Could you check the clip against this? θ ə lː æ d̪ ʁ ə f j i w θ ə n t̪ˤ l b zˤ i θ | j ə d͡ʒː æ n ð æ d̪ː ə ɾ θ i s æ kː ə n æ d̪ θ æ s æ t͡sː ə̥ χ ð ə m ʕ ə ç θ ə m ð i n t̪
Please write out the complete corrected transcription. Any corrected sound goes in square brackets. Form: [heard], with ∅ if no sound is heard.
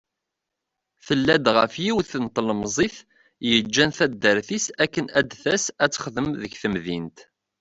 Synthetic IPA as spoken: θ ə lː æ d̪ ʁ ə f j i w θ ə n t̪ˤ l [m] zˤ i θ | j ə d͡ʒː æ n [θ] æ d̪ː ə ɾ θ i s æ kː ə n æ d̪ θ æ s æ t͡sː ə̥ χ ð ə m [ð] ə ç θ ə m ð i n t̪